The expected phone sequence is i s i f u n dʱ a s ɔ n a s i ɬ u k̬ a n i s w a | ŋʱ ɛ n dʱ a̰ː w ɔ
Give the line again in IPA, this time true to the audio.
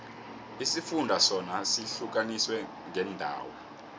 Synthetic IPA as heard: i s i f u n dʱ a s ɔ n a s i ɬ u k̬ a n i s w ɛ | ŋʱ ɛ n dʱ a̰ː w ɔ